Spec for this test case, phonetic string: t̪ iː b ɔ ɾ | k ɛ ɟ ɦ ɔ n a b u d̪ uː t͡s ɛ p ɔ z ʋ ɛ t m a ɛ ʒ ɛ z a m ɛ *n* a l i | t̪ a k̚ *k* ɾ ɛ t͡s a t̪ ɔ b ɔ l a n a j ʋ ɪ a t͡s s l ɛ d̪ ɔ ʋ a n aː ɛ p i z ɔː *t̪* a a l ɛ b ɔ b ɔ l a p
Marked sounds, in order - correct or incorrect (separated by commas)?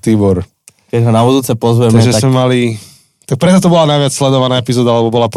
incorrect, incorrect, incorrect